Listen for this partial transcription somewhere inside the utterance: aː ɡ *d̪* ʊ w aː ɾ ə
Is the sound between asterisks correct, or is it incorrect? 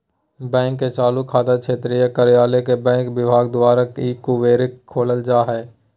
correct